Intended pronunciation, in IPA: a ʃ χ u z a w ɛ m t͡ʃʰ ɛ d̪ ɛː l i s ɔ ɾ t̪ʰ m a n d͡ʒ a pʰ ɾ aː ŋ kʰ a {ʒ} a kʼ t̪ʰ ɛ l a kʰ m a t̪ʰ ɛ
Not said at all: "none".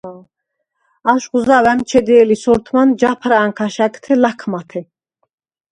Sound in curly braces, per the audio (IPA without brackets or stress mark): ʃ